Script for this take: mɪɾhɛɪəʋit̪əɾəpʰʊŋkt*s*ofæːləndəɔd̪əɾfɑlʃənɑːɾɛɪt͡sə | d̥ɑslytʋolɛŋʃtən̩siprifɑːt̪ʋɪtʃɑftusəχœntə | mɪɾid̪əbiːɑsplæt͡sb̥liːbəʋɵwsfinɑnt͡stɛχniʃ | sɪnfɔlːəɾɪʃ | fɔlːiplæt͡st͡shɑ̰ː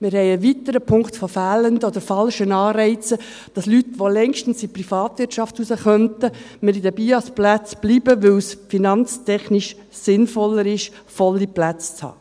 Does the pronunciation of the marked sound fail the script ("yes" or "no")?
yes